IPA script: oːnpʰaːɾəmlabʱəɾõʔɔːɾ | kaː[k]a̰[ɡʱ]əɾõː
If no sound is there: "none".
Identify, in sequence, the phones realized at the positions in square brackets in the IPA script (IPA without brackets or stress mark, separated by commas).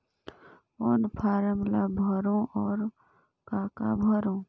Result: k, bʱ